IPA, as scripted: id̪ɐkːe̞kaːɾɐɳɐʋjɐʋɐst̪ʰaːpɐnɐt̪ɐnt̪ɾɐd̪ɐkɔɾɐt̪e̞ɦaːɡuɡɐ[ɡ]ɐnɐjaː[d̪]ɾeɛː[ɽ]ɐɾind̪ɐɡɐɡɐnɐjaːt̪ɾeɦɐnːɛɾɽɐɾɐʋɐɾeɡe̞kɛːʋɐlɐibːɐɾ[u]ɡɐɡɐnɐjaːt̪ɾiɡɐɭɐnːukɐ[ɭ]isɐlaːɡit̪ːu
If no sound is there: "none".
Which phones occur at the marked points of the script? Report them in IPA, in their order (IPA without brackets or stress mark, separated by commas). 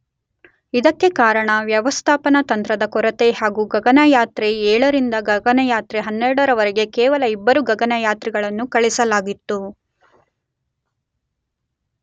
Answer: ɡ, t̪, ɭ, u, ɭ